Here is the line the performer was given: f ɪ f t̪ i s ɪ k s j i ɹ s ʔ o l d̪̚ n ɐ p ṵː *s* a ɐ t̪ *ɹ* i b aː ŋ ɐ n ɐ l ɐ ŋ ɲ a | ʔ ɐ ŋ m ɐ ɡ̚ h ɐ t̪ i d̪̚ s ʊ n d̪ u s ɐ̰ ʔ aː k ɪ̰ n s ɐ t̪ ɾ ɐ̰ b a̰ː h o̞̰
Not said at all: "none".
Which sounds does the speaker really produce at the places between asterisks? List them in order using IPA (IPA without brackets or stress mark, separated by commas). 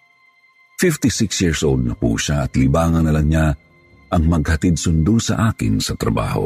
ʃ, l